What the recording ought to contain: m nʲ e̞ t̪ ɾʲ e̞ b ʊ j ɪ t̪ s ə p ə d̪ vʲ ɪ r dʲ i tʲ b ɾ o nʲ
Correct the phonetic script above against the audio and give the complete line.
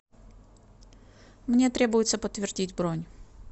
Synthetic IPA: m nʲ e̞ t̪ ɾʲ e̞ b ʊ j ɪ t̪ s ə p ə t̪ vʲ ɪ r dʲ i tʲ b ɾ o nʲ